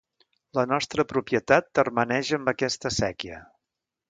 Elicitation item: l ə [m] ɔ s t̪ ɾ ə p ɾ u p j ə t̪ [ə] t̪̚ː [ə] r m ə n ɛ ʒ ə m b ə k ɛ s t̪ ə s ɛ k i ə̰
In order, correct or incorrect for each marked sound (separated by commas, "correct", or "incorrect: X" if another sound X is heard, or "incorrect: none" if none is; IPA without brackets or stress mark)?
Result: incorrect: n, incorrect: a, correct